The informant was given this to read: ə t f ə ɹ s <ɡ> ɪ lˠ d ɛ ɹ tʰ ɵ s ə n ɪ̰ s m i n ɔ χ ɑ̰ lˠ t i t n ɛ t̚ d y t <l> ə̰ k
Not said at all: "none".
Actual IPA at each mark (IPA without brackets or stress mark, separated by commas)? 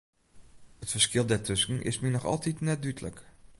k, l